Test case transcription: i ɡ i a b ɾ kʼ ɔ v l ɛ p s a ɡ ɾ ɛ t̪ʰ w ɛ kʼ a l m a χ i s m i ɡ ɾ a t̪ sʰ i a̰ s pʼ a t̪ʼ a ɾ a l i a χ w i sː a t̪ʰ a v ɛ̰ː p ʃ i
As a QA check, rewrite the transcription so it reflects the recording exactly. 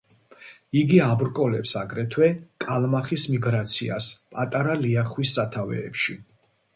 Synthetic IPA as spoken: i ɡ i a b ɾ kʼ ɔ l ɛ p s a ɡ ɾ ɛ t̪ʰ w ɛ kʼ a l m a χ i s m i ɡ ɾ a t̪ sʰ i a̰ s pʼ a t̪ʼ a ɾ a l i a χ w i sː a t̪ʰ a v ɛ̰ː p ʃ i

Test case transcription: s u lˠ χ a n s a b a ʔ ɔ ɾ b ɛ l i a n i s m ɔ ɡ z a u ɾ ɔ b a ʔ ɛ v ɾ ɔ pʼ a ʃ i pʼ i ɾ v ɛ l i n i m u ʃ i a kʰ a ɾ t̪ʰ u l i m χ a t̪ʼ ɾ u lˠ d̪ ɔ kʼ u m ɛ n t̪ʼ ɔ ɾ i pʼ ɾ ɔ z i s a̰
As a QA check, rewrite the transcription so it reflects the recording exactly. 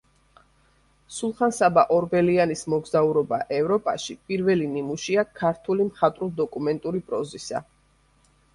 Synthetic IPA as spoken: s u lˠ χ a n s a b a ʔ ɔ ɾ b ɛ l i a n i s m ɔ ɡ z a u ɾ ɔ b a ʔ ɛ v ɾ ɔ pʼ a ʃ i pʼ i ɾ v ɛ l i n i m u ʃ i a kʰ a ɾ t̪ʰ u l i m χ a t̪ʼ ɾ u lˠ d̪ ɔ kʼ u m ɛ n t̪ʼ u ɾ i pʼ ɾ ɔ z i s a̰

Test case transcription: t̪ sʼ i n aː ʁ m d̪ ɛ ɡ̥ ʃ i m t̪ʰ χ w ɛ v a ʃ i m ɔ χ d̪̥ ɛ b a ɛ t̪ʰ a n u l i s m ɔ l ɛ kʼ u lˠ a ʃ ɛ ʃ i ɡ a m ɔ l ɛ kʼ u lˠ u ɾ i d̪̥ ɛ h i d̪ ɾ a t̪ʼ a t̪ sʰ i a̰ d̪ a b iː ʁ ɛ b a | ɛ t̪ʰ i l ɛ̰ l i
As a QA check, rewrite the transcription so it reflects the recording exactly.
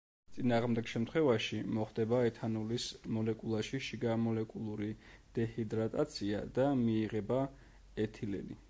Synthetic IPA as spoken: t̪ sʼ i n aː ʁ m d̪ ɛ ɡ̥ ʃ ɛ m t̪ʰ χ w ɛ v a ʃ i m ɔ χ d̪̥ ɛ b a ɛ t̪ʰ a n u l i s m ɔ l ɛ kʼ u lˠ a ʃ i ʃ i ɡ a m ɔ l ɛ kʼ u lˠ u ɾ i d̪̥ ɛ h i d̪ ɾ a t̪ʼ a t̪ sʰ i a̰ d̪ a m iː ʁ ɛ b a | ɛ t̪ʰ i l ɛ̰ l i

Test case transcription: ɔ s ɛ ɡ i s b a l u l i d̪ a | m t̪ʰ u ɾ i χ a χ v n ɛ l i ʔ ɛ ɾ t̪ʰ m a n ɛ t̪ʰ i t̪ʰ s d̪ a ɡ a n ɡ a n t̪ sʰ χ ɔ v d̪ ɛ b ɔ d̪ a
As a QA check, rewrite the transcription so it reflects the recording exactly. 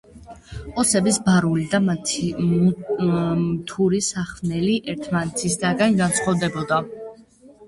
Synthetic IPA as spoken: ɔ s ɛ b i s b a ɾ u l i d̪ a | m t̪ʰ u ɾ i s a χ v n ɛ l i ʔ ɛ ɾ t̪ʰ m a n ɛ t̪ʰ i s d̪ a ɡ a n ɡ a n t̪ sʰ χ ɔ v d̪ ɛ b ɔ d̪ a

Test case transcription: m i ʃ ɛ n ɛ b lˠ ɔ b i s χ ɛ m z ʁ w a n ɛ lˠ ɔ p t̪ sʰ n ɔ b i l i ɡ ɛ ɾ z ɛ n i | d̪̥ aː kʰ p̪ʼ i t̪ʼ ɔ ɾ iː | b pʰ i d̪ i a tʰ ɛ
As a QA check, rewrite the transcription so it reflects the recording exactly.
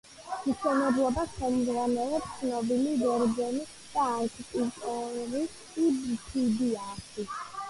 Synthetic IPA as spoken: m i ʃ ɛ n ɛ b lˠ ɔ b a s χ ɛ m z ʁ w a n ɛ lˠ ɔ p t̪ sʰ n ɔ b i l i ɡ ɛ ɾ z ɛ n i | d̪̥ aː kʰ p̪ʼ i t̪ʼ ɔ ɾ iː | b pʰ i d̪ i a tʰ i

